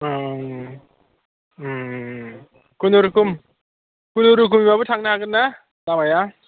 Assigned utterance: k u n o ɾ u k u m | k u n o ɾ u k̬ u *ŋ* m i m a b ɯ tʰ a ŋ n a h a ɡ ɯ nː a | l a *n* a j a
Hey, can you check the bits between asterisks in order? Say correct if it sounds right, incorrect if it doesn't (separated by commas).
incorrect, incorrect